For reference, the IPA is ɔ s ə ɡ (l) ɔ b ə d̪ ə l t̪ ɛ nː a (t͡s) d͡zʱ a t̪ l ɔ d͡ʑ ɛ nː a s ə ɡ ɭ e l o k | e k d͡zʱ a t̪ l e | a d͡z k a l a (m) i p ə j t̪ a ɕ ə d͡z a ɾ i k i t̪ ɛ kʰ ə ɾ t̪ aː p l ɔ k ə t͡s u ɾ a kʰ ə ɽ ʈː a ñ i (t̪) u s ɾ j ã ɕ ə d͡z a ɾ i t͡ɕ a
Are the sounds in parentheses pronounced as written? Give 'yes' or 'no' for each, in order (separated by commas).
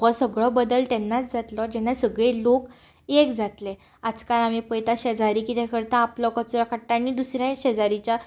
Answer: no, yes, yes, no